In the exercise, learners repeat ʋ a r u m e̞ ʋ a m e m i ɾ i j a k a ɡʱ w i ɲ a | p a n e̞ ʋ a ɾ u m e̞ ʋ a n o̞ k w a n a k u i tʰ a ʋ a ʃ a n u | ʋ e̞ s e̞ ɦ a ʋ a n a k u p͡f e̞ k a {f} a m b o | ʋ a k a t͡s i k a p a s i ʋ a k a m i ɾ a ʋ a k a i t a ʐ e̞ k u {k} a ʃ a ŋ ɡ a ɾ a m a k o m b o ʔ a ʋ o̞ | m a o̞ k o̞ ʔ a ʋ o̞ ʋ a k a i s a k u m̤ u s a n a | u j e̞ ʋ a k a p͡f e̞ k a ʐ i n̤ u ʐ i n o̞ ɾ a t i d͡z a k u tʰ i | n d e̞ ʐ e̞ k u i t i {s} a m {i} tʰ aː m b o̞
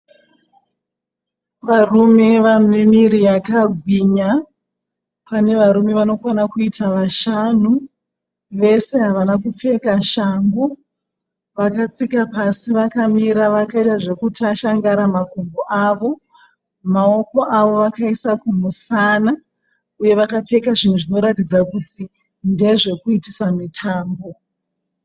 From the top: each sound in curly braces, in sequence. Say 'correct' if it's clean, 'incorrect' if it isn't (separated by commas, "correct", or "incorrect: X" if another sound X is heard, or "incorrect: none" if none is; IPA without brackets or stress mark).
incorrect: ʃ, incorrect: t, correct, correct